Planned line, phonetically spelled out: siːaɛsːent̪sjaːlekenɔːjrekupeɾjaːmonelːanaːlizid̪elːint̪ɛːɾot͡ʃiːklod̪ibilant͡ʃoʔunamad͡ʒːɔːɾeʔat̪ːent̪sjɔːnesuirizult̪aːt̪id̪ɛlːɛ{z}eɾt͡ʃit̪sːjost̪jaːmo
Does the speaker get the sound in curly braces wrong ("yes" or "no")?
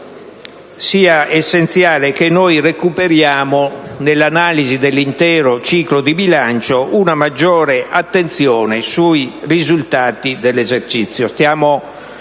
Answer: no